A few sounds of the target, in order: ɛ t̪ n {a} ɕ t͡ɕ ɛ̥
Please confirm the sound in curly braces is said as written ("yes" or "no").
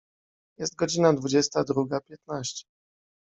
yes